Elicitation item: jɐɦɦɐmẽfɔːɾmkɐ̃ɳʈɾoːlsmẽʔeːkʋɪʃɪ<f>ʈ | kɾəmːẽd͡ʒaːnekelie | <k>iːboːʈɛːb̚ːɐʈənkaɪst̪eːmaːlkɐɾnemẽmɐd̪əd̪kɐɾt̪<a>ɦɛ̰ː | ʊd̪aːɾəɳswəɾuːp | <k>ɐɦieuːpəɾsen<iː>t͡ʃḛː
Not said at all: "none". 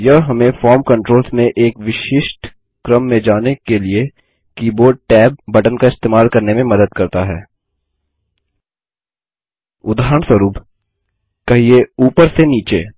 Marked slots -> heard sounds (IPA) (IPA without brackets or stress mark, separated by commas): ʃ, k, a, k, iː